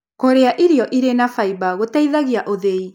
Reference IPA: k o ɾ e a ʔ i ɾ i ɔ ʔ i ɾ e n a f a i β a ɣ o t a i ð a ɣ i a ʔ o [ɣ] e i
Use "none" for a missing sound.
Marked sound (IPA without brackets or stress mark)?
ð